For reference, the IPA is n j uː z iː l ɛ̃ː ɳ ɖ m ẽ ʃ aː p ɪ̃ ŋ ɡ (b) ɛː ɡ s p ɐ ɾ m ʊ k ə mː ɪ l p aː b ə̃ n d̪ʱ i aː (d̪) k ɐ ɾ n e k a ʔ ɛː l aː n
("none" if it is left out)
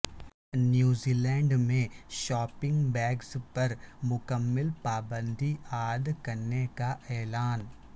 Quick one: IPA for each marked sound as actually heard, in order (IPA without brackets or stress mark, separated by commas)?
b, d̪